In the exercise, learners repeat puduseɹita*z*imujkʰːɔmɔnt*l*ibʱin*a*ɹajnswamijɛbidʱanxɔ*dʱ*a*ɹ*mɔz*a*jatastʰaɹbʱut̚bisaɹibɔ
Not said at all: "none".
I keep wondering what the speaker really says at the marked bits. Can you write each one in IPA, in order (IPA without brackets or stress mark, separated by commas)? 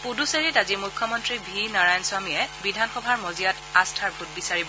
z, ɹ, a, bʱ, ɹ, i